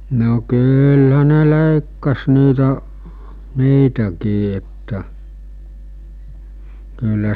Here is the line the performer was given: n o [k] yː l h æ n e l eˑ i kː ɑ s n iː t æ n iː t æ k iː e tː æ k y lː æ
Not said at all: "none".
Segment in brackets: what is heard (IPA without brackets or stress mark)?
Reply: k